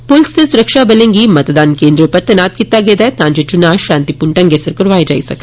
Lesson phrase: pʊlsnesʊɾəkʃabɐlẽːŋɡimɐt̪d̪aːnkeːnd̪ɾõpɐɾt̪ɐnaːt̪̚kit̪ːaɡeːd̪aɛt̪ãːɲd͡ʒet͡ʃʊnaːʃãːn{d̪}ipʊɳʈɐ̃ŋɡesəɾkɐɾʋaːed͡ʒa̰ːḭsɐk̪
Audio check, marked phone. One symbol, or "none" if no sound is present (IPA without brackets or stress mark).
t̪